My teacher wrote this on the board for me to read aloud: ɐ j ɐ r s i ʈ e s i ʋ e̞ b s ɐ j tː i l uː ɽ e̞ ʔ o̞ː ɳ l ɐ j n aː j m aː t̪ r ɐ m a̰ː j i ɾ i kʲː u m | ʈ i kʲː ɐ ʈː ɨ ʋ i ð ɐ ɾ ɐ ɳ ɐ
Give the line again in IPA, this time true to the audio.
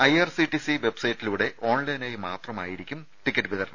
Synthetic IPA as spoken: ɐ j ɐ r s i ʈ i s i ʋ e̞ b s ɐ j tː i l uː ɽ e̞ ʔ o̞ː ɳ l ɐ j n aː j m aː t̪ r ɐ m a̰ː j i ɾ i kʲː u m | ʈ i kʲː ɐ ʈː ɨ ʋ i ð ɐ ɾ ɐ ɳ ɐ